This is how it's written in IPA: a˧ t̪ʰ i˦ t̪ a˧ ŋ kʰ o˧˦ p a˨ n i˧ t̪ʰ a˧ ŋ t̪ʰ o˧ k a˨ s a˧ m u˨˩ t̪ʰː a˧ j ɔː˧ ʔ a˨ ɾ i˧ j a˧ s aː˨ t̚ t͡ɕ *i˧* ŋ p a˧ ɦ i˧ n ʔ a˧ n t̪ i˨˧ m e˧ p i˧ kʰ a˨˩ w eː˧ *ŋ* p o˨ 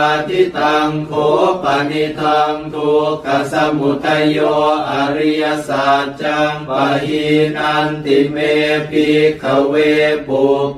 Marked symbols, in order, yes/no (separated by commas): no, no